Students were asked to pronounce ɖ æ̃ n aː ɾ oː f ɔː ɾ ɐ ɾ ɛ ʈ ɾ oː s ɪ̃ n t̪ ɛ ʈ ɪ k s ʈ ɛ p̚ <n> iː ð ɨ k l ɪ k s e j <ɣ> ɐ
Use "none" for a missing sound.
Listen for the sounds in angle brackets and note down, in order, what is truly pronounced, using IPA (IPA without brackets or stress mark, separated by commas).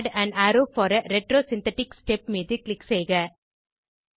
m, ɣ